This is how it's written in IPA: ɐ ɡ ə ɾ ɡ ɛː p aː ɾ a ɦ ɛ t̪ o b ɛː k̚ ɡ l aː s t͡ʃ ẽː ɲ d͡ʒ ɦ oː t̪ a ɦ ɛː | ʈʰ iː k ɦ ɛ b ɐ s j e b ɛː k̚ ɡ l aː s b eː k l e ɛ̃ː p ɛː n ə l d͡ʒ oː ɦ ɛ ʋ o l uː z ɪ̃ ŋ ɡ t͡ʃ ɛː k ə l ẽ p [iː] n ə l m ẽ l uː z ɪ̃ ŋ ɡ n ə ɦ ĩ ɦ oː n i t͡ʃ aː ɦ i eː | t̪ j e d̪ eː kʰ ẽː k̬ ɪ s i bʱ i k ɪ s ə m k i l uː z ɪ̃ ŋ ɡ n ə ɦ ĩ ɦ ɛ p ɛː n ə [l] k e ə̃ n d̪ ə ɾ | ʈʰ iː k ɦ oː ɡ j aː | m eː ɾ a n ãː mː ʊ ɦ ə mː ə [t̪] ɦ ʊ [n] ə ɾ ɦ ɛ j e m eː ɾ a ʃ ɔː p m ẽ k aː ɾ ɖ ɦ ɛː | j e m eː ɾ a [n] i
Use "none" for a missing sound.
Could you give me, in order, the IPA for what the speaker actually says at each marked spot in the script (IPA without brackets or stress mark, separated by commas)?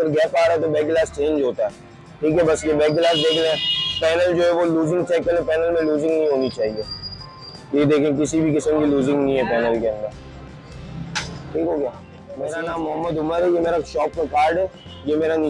ɛː, l, d̪, m, n